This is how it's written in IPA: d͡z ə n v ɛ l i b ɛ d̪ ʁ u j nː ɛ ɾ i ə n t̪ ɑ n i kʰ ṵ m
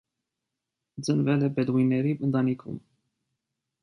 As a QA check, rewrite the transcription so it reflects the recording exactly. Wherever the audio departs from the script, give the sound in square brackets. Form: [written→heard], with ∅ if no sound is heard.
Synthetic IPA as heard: d͡z ə n v ɛ l [i→ɛ] b ɛ d̪ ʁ u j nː ɛ ɾ i ə n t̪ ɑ n i kʰ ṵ m